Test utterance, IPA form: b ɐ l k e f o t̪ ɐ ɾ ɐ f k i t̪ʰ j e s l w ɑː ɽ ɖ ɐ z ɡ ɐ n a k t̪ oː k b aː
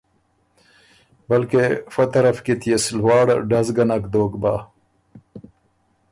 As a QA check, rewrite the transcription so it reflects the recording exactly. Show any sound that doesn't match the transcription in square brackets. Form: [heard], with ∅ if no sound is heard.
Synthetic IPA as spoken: b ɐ l k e f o t̪ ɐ ɾ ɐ f k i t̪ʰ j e s l w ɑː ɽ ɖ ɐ z ɡ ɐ n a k [d̪] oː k b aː